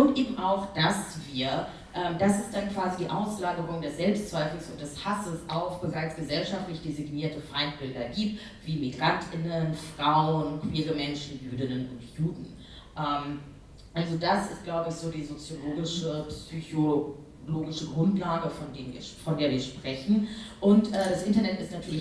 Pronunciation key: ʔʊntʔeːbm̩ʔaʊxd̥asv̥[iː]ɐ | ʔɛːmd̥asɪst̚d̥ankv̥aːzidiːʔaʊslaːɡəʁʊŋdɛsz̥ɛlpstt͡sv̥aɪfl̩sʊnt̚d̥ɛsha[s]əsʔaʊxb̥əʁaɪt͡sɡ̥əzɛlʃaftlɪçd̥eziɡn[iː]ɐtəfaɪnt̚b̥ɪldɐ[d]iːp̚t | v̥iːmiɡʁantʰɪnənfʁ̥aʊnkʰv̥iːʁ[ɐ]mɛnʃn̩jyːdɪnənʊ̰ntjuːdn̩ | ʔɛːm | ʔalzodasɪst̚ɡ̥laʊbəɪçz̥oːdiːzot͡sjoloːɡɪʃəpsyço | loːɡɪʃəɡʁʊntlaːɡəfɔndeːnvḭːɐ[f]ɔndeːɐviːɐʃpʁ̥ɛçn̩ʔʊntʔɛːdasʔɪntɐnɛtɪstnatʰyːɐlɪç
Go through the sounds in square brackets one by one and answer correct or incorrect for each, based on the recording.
correct, correct, correct, incorrect, incorrect, correct

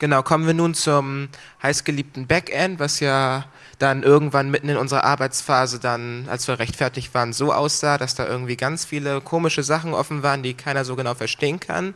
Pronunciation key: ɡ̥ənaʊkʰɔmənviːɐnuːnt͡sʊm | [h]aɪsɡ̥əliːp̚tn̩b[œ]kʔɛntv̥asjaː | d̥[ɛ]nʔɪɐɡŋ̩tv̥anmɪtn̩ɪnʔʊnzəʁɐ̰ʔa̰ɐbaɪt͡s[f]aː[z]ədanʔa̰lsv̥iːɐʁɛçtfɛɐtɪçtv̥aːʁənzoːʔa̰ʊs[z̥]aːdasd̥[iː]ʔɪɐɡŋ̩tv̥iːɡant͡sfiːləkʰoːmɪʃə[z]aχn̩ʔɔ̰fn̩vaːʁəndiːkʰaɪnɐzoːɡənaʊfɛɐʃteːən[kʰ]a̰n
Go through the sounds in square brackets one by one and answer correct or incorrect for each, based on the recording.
correct, incorrect, incorrect, correct, correct, correct, incorrect, correct, correct

